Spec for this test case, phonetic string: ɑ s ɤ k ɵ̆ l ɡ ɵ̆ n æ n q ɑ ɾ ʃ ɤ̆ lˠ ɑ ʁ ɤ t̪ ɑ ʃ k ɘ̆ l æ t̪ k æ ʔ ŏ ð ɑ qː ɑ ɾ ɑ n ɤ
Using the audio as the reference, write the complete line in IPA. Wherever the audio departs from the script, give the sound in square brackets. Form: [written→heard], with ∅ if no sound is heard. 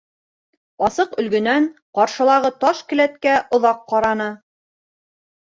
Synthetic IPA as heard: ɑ s ɤ [k→q] ɵ̆ l ɡ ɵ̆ n æ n q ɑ ɾ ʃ ɤ̆ lˠ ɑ ʁ ɤ t̪ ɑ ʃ k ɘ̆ l æ t̪ k æ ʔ ŏ ð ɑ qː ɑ ɾ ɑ n ɤ